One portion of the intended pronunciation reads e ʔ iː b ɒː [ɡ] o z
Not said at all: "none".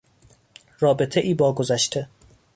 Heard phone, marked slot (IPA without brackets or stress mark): ɡ